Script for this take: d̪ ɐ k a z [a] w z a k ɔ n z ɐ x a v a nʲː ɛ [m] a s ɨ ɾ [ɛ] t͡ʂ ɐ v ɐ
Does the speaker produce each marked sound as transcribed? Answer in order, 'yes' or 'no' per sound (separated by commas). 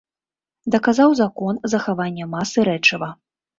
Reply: yes, yes, yes